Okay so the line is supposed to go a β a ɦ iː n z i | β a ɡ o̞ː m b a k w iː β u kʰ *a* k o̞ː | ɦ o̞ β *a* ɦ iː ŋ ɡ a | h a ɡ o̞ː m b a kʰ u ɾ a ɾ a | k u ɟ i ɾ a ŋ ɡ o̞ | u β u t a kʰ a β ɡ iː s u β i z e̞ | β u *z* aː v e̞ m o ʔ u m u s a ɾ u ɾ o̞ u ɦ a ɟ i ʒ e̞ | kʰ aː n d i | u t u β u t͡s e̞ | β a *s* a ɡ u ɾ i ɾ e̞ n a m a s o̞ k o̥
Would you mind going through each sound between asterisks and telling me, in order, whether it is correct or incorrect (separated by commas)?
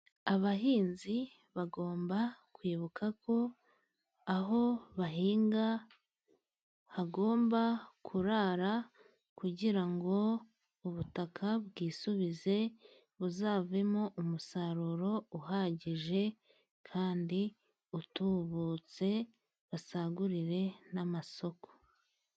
correct, correct, correct, correct